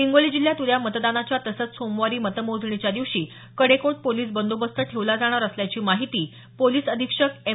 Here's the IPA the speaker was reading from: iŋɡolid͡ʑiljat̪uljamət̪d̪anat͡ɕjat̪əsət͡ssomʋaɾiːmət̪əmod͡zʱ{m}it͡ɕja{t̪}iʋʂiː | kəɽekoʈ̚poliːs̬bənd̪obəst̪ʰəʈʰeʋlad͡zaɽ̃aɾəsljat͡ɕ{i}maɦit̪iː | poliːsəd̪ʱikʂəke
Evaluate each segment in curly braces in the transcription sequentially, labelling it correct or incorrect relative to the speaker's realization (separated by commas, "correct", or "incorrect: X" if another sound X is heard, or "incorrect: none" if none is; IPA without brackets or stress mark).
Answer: incorrect: ɳ, incorrect: d̪, incorrect: iː